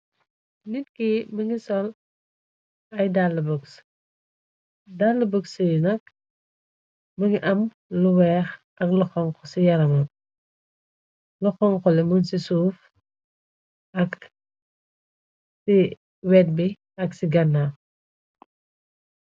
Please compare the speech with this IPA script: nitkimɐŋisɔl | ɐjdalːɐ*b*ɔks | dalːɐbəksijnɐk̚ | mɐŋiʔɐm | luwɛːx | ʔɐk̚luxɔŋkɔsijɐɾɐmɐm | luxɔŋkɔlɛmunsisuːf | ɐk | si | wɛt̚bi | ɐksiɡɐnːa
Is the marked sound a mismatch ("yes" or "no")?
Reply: no